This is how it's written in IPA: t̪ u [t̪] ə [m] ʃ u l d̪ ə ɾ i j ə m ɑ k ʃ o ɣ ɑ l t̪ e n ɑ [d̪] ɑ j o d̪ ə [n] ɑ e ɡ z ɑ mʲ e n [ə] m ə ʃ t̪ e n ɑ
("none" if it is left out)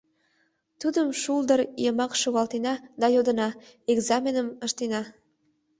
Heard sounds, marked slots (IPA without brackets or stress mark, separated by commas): d̪, m, d̪, n, ə